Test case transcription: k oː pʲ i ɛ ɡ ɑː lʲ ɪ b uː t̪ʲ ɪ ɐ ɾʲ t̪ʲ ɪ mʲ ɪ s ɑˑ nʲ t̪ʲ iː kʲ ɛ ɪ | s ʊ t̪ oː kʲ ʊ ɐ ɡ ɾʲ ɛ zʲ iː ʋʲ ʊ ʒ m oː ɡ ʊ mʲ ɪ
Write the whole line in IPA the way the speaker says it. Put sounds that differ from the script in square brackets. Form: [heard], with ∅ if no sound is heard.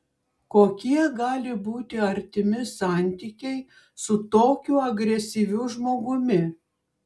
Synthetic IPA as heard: k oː [kʲ] i ɛ ɡ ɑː lʲ ɪ b uː t̪ʲ ɪ ɐ ɾʲ t̪ʲ ɪ mʲ ɪ s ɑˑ nʲ t̪ʲ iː kʲ ɛ ɪ | s ʊ t̪ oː kʲ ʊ ɐ ɡ ɾʲ ɛ [sʲ] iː ʋʲ ʊ ʒ m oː ɡ ʊ mʲ ɪ